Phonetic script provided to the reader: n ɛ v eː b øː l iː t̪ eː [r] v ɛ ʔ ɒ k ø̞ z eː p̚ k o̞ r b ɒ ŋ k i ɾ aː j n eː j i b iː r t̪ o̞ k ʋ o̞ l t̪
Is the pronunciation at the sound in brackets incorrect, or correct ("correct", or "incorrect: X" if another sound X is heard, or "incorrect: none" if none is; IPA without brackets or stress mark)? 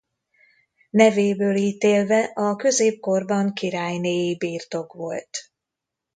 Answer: incorrect: l